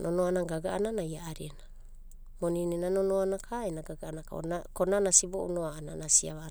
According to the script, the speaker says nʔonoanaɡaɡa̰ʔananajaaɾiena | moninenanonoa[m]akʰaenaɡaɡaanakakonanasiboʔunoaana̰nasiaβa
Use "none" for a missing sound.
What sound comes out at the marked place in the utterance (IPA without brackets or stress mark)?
n